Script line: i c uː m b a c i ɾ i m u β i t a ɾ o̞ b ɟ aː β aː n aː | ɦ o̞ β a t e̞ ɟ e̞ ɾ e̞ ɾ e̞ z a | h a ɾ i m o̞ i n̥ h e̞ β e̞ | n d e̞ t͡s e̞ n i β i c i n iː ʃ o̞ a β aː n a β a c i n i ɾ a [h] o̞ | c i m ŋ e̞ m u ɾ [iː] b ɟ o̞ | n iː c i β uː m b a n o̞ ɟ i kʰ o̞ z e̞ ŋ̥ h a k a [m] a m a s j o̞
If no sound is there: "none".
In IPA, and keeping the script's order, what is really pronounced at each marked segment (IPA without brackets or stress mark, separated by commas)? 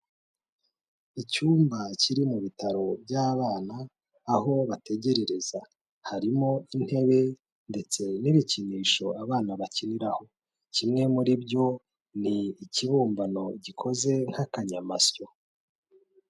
h, i, ɲ